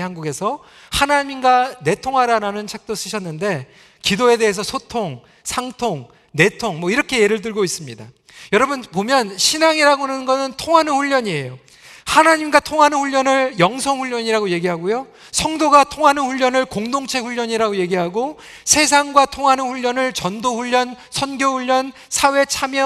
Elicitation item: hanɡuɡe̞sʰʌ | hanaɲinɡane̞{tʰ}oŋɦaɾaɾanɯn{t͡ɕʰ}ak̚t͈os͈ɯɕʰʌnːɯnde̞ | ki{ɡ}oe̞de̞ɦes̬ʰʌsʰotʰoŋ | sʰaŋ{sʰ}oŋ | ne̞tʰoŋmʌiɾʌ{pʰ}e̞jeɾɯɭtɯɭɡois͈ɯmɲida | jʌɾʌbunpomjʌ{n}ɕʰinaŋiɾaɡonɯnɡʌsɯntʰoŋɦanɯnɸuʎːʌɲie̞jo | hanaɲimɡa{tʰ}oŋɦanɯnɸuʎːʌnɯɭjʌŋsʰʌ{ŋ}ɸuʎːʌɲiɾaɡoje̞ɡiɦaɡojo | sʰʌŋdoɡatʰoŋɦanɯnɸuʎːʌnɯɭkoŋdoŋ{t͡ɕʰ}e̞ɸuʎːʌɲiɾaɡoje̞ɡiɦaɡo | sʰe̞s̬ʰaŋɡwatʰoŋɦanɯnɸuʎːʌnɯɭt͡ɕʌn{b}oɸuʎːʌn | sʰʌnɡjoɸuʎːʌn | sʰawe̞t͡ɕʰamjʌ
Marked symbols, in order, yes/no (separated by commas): yes, yes, no, no, no, yes, yes, yes, yes, no